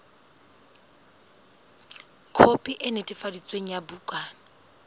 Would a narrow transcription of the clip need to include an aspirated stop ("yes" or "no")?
yes